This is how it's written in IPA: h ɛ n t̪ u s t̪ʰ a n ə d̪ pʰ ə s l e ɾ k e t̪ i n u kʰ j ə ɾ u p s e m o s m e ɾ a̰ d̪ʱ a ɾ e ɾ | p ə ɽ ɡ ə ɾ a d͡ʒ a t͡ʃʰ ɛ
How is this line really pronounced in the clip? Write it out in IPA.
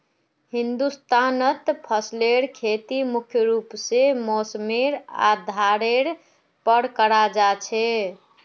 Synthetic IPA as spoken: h i n d̪ u s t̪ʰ a n ə t̪ pʰ ə s l e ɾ kʰ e t̪ i m u kʰ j ə ɾ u p s e m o s m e ɾ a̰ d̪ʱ a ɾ e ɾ | p ə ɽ k ə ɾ a d͡ʒ a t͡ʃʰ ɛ